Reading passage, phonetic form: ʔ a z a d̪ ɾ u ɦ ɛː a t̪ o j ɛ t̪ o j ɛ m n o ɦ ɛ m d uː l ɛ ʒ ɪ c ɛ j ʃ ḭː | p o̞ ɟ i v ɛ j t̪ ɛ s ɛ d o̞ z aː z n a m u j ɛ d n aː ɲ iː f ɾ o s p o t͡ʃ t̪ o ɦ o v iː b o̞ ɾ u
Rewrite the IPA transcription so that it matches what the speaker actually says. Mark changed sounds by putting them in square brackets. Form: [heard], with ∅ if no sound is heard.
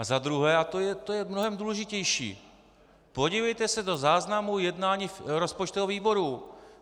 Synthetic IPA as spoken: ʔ a z a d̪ ɾ u ɦ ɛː a t̪ o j ɛ t̪ o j ɛ m n o ɦ ɛ m d uː l ɛ ʒ ɪ c ɛ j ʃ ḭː | p o̞ ɟ i v ɛ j t̪ ɛ s ɛ d o̞ z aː z n a m u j ɛ d n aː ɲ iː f ɾ o s p o t͡ʃ t̪ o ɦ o v iː b o̞ ɾ u